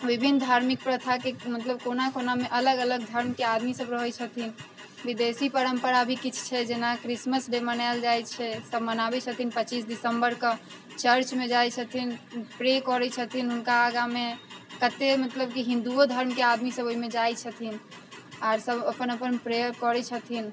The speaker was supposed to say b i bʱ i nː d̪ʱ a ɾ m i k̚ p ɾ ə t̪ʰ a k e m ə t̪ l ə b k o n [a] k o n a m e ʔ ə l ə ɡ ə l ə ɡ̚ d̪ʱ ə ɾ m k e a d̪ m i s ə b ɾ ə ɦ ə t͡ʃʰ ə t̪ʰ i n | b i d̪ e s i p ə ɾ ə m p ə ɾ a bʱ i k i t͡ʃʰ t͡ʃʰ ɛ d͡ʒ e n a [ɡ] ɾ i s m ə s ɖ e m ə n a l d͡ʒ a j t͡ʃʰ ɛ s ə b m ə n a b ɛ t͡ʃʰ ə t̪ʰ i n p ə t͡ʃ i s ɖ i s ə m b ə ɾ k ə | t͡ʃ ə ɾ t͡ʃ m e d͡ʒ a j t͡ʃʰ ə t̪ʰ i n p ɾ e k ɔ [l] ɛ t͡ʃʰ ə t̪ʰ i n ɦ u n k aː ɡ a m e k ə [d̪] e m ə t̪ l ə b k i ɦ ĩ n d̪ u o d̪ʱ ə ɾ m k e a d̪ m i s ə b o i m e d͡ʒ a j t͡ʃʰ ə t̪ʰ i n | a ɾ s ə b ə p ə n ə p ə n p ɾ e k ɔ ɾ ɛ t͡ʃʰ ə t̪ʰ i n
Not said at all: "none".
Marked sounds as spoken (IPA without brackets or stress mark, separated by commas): a, k, ɾ, t̪